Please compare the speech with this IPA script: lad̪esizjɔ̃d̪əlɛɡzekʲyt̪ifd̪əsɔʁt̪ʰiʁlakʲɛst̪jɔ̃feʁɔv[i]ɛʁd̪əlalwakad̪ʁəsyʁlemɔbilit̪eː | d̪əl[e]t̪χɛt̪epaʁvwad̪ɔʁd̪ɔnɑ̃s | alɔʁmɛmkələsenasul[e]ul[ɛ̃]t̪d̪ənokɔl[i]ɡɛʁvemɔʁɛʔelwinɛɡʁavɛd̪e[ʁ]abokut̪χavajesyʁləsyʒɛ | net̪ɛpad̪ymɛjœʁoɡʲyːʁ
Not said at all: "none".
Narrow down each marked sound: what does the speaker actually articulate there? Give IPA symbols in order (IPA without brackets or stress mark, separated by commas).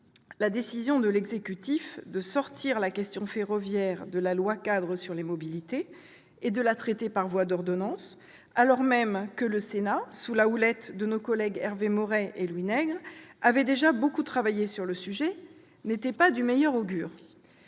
j, a, a, ɛ, ɛ, ʒ